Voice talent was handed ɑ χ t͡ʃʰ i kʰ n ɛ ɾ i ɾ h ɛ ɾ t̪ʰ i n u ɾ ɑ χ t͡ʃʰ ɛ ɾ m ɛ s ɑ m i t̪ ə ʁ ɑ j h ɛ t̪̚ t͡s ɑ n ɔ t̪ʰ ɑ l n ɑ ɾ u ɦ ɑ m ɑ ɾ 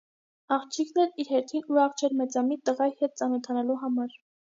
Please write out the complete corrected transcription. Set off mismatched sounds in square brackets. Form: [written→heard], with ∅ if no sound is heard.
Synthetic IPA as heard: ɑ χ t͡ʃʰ i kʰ n ɛ ɾ i ɾ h ɛ ɾ t̪ʰ i n u ɾ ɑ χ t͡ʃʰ ɛ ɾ m ɛ [s→t͡s] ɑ m i t̪ ə ʁ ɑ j h ɛ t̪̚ t͡s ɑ n ɔ t̪ʰ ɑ [l→∅] n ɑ [ɾ→l] u ɦ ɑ m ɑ ɾ